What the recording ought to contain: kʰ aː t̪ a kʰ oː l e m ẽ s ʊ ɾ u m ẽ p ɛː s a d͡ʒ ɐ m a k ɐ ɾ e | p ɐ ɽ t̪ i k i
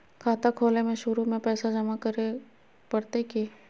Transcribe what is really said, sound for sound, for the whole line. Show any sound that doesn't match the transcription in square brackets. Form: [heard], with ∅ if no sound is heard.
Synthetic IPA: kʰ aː t̪ a kʰ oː l e m ẽ [ʃ] ʊ ɾ u m ẽ p ɛː s a d͡ʒ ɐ m a k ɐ ɾ e | p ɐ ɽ t̪ [e] k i